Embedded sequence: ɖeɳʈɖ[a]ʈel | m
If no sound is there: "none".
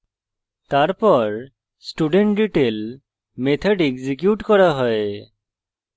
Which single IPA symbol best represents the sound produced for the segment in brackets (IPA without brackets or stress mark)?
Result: i